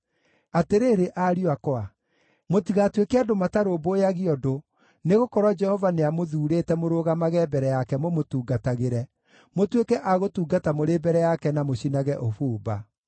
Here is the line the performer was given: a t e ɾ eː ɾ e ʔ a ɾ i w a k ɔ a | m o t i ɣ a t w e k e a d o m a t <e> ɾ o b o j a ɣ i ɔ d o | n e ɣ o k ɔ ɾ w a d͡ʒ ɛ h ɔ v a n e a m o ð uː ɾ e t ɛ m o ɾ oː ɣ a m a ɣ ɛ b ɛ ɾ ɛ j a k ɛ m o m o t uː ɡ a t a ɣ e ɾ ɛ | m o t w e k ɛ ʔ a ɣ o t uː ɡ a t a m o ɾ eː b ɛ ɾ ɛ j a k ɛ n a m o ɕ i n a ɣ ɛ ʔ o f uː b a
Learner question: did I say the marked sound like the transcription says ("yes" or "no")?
no